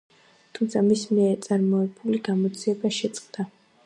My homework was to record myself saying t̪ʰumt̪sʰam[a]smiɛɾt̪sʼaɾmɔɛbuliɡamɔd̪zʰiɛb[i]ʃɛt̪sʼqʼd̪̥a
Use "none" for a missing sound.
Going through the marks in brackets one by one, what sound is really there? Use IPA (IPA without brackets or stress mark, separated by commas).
i, a